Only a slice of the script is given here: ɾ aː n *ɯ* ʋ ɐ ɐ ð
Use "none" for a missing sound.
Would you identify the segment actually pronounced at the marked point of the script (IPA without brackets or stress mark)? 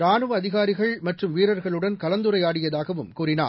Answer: ɯ